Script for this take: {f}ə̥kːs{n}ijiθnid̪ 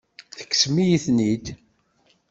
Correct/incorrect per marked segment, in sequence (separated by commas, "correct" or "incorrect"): incorrect, incorrect